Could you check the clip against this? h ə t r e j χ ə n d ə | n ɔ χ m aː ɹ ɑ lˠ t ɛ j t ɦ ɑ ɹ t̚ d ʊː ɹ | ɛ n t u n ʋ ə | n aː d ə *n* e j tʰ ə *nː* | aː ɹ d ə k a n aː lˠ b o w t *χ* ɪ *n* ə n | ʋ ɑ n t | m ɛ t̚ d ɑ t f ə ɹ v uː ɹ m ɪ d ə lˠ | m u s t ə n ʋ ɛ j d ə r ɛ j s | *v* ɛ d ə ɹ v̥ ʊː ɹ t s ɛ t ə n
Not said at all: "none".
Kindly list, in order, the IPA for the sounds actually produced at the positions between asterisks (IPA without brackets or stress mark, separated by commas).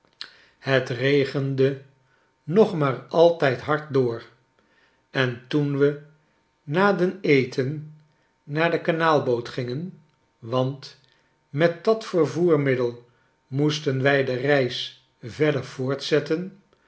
n, nː, χ, ŋ, v